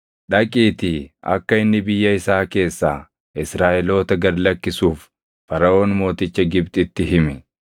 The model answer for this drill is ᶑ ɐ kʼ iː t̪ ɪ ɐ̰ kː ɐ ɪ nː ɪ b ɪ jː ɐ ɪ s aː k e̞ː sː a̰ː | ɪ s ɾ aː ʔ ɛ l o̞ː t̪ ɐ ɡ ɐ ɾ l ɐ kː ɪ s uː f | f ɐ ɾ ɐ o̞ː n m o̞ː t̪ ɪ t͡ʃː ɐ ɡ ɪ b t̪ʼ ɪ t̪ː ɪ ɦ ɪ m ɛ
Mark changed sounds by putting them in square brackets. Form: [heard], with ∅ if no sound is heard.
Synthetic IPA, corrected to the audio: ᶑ ɐ kʼ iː t̪ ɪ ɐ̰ kː ɐ ɪ nː ɪ b ɪ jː ɐ ɪ s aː k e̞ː sː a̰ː | ɪ s ɾ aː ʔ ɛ l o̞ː t̪ ɐ ɡ ɐ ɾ l ɐ kː ɪ s uː f | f ɐ ɾ ɐ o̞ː n m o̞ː t̪ ɪ t͡ʃː ɐ ɡ ɪ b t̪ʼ ɪ t̪ː ɪ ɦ ɪ m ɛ